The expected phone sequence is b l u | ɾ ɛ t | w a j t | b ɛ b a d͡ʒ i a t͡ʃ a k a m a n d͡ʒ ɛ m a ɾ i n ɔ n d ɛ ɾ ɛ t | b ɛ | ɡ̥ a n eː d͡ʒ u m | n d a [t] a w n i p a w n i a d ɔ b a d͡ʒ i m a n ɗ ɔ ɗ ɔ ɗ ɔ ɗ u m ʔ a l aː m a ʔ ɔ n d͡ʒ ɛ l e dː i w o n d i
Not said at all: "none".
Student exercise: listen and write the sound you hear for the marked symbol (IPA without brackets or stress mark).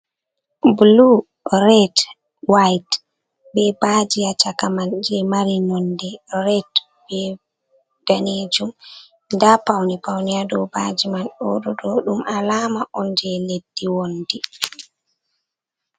p